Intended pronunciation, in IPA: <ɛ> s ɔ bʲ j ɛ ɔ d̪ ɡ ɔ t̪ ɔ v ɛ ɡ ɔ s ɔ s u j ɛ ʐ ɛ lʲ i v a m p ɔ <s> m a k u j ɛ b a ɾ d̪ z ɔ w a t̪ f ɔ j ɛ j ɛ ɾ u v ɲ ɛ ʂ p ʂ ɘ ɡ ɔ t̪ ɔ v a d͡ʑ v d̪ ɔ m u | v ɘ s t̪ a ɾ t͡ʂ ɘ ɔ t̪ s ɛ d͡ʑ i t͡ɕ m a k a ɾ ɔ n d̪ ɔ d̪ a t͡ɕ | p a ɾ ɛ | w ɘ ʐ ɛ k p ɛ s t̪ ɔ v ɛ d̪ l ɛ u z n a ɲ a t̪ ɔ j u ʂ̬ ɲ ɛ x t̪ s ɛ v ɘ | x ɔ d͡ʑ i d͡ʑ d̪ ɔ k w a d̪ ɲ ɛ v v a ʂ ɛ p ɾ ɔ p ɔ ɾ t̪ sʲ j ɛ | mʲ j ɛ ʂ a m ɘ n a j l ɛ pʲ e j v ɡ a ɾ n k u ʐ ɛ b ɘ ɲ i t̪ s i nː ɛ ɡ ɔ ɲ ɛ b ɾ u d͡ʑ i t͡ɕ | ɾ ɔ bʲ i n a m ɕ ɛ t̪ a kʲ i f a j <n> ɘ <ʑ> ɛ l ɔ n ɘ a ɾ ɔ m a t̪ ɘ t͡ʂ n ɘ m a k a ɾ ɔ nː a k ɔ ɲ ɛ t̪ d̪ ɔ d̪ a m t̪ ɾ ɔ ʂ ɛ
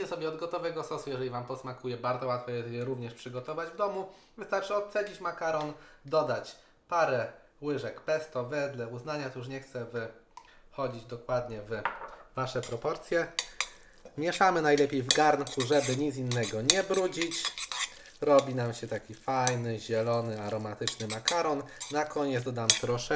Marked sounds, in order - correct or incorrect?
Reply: correct, correct, correct, correct

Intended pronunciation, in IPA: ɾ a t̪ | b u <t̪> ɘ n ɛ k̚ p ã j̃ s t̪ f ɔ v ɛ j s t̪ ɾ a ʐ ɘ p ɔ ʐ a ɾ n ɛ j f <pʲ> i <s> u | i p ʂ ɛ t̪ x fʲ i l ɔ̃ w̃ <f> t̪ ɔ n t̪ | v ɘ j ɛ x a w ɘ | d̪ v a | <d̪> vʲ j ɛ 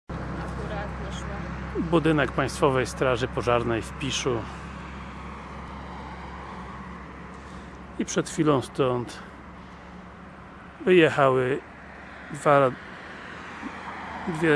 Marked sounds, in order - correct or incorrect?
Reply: incorrect: d̪, correct, incorrect: ʂ, incorrect: s, correct

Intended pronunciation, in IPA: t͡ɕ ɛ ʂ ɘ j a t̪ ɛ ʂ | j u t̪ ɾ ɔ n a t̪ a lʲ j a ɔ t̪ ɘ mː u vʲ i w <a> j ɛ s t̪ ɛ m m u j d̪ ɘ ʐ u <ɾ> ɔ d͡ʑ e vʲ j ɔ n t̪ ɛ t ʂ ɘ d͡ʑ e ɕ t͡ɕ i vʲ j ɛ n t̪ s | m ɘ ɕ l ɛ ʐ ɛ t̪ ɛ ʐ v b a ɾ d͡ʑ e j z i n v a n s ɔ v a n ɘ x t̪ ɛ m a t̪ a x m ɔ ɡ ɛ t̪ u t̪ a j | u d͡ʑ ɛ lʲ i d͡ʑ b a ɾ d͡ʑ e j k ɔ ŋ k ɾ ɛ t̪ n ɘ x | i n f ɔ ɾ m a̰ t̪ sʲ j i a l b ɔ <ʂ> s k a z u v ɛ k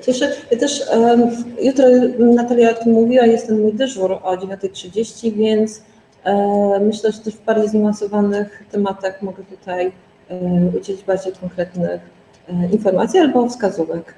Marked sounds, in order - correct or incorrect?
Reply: correct, correct, incorrect: f

